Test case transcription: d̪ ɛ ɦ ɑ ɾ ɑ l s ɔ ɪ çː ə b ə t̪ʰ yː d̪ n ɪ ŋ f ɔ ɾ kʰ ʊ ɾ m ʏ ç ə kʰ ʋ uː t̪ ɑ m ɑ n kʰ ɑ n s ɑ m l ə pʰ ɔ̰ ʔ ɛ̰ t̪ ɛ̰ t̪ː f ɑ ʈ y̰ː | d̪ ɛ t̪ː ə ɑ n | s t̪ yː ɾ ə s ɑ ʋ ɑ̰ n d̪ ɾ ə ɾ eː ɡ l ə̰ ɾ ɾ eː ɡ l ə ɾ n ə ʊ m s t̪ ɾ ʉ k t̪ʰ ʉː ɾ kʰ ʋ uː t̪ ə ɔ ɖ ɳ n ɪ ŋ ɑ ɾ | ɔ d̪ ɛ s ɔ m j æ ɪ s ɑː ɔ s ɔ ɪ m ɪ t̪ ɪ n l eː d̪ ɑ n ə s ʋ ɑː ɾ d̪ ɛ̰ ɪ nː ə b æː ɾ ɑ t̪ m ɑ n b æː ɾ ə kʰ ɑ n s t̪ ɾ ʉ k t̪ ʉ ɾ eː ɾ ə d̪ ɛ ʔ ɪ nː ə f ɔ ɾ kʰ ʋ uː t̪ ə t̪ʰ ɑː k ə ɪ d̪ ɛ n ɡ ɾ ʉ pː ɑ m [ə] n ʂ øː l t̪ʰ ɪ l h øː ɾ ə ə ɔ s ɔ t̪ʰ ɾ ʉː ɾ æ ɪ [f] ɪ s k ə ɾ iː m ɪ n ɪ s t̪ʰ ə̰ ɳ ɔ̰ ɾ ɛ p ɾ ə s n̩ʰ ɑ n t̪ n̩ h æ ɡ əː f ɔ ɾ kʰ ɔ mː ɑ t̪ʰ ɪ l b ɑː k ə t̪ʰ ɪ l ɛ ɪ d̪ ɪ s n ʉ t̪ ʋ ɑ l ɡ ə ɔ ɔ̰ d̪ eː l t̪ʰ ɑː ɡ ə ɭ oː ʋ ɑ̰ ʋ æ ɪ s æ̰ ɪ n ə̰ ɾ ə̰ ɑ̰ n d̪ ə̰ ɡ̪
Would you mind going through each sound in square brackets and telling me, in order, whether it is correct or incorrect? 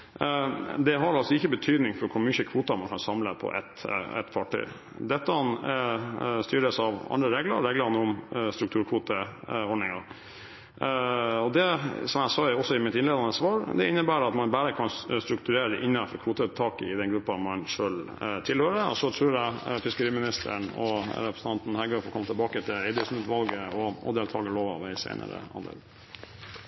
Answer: incorrect: ɑ, correct

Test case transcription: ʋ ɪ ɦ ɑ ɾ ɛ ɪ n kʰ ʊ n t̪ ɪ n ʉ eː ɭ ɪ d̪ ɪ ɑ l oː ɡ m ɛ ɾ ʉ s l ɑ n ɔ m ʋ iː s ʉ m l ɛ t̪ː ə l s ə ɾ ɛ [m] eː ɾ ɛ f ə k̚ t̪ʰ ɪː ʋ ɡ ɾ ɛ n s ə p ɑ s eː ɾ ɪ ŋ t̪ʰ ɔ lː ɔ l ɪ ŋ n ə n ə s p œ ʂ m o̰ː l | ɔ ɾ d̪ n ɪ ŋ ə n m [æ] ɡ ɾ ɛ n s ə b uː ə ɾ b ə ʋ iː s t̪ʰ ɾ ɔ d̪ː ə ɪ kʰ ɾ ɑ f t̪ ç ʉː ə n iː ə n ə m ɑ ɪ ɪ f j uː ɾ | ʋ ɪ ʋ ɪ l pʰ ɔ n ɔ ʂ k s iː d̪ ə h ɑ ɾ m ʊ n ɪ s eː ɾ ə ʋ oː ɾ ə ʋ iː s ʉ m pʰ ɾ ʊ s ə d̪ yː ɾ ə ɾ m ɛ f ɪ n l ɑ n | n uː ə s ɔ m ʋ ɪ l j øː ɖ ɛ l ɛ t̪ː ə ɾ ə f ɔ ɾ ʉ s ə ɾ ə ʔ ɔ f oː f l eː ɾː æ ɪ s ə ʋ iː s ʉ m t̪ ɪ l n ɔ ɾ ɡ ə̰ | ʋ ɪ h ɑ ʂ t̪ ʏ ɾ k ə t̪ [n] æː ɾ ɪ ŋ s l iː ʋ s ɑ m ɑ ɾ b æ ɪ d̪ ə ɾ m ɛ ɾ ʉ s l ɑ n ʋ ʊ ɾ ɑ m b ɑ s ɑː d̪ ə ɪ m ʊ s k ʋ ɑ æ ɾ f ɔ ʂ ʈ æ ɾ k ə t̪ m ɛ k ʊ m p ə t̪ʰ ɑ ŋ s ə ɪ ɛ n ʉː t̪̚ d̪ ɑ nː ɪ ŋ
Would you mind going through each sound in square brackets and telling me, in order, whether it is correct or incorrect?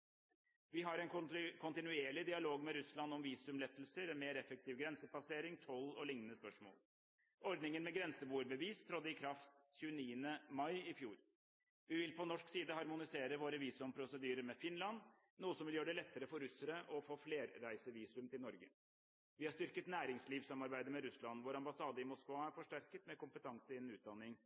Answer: correct, incorrect: ɛ, correct

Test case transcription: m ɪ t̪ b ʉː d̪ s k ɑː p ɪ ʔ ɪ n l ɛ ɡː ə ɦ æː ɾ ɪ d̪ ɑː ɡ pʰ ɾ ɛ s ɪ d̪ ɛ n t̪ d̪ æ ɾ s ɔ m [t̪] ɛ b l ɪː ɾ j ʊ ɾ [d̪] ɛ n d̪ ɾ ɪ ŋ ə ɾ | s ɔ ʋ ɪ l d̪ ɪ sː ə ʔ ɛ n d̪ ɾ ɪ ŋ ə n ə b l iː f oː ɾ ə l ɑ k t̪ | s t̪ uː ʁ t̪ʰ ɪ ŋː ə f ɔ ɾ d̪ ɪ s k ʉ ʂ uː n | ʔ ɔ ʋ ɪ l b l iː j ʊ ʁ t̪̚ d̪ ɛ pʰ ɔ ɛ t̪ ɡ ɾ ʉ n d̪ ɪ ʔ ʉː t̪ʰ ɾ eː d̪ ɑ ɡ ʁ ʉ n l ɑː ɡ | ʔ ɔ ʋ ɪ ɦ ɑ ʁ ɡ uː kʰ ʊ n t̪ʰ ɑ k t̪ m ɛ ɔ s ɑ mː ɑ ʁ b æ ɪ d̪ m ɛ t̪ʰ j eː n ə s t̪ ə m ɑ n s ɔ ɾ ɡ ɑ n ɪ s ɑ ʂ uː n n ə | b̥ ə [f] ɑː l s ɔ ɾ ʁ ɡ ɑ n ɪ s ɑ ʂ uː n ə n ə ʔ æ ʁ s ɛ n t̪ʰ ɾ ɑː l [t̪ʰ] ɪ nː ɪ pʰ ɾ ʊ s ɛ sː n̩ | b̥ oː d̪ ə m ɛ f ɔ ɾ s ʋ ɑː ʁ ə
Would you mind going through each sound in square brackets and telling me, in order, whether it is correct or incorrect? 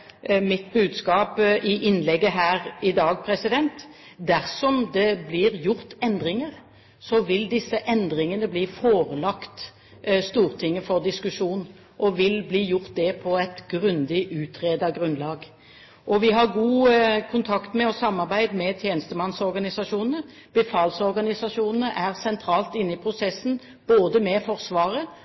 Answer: incorrect: d̪, incorrect: t̪, correct, incorrect: t̪

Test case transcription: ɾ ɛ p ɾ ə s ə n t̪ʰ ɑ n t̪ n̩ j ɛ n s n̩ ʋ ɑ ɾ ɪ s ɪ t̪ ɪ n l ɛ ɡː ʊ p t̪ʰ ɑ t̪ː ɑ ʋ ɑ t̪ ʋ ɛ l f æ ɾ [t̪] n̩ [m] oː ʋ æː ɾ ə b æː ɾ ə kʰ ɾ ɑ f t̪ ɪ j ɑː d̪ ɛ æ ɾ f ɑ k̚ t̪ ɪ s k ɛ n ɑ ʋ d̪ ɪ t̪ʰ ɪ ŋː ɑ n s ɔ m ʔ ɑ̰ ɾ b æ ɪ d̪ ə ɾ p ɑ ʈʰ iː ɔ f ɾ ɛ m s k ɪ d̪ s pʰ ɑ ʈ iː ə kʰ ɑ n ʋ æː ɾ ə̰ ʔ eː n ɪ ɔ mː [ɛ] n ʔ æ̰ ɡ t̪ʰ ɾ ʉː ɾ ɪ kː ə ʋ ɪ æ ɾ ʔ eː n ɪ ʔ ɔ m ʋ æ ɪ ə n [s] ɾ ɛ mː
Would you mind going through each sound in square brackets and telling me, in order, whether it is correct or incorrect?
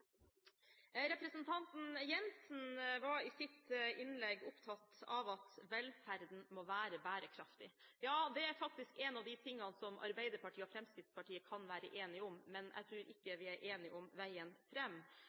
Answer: incorrect: d̪, correct, correct, incorrect: f

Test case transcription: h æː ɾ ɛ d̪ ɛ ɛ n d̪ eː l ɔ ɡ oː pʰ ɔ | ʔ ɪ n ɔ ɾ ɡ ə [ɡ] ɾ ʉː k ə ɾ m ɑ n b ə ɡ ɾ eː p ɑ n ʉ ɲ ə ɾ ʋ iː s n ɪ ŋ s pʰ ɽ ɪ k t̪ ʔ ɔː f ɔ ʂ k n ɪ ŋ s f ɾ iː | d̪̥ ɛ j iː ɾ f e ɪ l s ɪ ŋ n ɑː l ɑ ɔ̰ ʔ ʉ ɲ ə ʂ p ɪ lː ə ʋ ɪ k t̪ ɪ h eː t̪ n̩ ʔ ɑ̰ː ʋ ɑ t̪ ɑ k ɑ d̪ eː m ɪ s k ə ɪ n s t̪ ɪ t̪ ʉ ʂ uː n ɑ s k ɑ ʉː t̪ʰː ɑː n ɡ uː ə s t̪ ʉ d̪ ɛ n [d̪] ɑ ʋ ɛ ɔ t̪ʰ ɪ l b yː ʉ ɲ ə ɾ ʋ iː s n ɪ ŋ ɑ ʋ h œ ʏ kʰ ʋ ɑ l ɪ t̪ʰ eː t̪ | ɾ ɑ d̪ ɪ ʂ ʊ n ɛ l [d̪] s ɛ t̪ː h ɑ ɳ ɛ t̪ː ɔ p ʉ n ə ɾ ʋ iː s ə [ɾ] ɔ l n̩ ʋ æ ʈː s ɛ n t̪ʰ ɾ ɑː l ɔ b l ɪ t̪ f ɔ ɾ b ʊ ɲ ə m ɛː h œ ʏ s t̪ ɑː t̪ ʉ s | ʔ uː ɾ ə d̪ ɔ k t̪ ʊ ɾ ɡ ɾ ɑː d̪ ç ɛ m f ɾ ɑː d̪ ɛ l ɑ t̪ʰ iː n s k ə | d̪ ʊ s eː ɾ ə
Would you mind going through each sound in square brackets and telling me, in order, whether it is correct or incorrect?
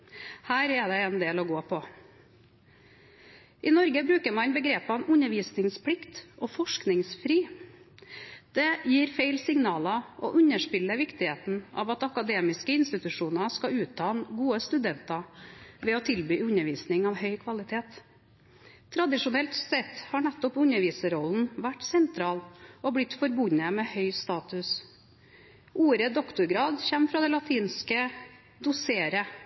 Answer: incorrect: b, incorrect: t̪, incorrect: t̪, correct

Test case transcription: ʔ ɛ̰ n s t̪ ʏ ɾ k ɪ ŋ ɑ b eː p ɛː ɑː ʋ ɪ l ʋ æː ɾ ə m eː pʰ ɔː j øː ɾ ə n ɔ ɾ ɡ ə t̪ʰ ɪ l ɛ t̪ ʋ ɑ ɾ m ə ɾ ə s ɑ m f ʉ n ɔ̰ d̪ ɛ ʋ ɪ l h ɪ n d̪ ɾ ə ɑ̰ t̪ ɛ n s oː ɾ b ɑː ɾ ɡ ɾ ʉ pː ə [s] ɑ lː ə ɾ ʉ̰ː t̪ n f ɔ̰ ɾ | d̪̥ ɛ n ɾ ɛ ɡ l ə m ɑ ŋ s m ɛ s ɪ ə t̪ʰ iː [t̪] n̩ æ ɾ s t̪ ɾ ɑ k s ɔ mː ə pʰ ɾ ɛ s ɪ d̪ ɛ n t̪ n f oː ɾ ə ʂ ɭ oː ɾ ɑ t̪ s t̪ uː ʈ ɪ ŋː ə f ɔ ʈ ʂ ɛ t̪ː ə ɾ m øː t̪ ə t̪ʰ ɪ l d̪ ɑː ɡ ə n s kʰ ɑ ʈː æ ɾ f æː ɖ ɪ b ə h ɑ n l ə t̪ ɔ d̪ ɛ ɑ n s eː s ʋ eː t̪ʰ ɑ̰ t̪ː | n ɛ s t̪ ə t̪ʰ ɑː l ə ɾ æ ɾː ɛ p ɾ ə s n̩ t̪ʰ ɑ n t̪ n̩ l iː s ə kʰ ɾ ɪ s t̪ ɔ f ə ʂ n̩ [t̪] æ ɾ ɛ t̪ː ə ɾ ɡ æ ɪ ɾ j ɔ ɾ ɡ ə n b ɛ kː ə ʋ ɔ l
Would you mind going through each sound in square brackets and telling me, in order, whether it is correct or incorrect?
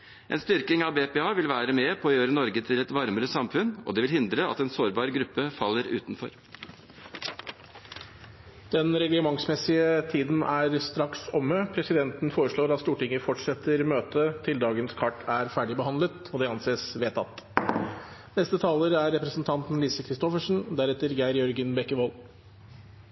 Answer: incorrect: f, incorrect: d̪, incorrect: d̪

